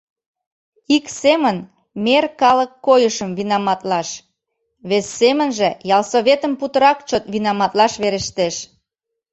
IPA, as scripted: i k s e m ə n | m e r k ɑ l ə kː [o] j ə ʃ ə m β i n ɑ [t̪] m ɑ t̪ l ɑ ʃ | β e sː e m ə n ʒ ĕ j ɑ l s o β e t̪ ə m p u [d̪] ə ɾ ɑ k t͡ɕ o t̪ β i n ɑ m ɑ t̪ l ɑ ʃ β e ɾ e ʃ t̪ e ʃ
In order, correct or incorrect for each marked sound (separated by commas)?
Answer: correct, incorrect, incorrect